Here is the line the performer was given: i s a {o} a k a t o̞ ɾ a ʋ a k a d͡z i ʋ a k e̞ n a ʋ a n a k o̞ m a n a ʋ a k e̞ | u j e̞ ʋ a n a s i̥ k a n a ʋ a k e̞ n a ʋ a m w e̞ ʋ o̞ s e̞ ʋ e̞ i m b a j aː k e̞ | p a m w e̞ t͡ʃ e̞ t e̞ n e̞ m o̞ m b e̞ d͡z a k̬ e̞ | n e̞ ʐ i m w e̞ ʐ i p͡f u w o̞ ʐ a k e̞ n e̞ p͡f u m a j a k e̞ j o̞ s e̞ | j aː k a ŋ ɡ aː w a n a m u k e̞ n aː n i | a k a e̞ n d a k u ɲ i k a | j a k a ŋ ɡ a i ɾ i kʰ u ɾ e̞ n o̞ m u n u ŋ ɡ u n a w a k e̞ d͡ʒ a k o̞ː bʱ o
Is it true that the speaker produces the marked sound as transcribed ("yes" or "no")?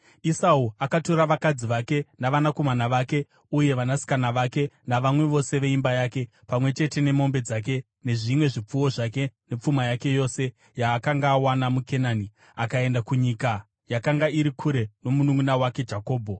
no